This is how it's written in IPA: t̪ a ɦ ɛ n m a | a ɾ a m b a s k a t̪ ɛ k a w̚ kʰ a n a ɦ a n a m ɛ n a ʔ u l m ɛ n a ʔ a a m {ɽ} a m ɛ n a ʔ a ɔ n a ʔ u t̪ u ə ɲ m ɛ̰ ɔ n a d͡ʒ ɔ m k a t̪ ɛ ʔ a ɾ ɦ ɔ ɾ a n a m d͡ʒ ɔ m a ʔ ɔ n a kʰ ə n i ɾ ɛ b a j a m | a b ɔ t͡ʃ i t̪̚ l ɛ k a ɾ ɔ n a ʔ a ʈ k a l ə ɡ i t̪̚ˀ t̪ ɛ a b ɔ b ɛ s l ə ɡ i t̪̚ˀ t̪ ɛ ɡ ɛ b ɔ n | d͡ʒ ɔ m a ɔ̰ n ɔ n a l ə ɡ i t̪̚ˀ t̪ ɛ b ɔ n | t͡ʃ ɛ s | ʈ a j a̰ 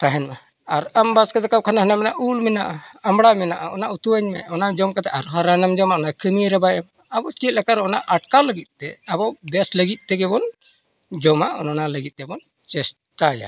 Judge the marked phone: correct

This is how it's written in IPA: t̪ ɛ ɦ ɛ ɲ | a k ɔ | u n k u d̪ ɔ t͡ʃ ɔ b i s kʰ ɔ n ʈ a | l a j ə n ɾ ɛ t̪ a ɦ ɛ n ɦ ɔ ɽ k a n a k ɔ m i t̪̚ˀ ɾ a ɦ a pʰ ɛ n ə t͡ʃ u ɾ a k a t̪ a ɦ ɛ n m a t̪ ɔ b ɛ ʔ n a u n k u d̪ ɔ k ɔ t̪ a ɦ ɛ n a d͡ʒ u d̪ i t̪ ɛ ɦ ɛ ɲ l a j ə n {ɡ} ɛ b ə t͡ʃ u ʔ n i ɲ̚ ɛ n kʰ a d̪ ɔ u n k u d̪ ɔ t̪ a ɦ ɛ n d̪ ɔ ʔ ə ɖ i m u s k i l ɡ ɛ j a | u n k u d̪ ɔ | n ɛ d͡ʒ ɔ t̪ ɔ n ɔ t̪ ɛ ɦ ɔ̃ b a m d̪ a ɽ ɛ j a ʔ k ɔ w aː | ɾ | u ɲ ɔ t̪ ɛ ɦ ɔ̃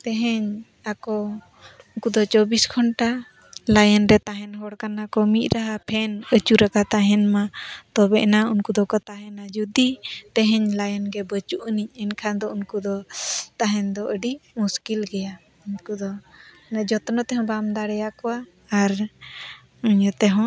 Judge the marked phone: correct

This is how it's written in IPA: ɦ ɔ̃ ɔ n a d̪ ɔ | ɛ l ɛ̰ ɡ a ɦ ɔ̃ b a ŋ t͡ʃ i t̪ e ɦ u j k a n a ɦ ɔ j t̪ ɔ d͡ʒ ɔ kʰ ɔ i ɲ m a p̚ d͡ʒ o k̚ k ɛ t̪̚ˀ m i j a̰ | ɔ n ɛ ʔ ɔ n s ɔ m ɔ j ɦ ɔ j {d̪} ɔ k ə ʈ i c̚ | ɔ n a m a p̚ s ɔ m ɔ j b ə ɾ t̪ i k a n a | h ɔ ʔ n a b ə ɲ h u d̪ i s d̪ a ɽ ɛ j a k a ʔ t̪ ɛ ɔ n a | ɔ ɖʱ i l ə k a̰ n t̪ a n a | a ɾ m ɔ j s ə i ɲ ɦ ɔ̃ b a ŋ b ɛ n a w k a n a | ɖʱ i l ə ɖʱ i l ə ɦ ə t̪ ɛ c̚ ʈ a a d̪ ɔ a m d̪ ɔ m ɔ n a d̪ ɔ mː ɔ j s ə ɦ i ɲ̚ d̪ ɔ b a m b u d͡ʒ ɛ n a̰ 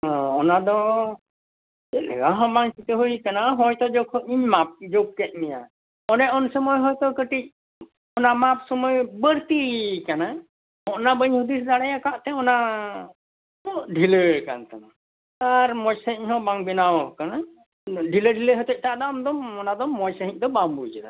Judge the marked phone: incorrect: t̪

